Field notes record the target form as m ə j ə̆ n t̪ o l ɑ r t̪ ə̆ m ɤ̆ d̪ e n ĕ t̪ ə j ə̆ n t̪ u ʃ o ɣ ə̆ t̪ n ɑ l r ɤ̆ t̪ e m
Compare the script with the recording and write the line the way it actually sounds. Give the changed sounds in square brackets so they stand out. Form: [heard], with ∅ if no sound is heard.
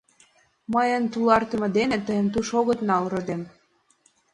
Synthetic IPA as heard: m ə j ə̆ n t̪ [u] l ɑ r t̪ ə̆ m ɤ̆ d̪ e n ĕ t̪ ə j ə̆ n t̪ u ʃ o ɣ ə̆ t̪ n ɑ l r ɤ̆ [d̪] e m